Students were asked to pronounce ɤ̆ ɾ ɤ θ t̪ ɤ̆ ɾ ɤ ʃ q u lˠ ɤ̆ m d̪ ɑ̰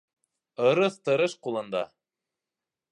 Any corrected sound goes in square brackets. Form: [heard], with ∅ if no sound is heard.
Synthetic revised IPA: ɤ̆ ɾ ɤ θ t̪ ɤ̆ ɾ ɤ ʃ q u lˠ ɤ̆ [n] d̪ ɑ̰